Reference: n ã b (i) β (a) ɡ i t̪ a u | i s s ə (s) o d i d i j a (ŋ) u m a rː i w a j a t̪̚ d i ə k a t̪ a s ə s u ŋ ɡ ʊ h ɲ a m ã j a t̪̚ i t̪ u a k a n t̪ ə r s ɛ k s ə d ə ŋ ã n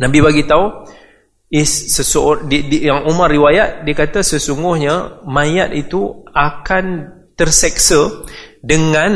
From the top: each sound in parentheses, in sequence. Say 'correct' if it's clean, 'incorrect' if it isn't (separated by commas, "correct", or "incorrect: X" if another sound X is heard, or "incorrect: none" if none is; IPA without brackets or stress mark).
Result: correct, correct, correct, correct